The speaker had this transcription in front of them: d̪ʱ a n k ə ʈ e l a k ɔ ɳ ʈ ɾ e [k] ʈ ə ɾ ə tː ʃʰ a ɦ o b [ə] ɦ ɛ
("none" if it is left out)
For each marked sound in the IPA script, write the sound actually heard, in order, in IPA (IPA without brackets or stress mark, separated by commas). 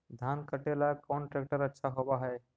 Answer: k, a